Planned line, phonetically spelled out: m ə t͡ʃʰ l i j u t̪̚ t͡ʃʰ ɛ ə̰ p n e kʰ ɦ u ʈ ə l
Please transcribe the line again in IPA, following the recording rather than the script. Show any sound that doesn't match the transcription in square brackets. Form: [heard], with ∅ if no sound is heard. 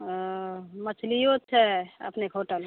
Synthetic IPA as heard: m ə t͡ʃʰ l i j [o] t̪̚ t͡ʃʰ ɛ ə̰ p n e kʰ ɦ [o] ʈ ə l